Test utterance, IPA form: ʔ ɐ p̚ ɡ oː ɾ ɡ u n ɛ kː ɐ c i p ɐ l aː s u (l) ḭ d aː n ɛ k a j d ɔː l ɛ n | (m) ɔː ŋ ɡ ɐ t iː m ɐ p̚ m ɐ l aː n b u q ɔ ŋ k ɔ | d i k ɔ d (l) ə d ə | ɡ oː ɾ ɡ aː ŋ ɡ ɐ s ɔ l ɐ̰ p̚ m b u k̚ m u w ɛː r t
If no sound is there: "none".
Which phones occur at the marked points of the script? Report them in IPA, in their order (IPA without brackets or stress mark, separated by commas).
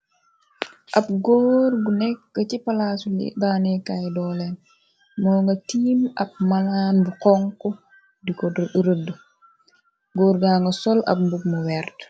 l, m, ɾ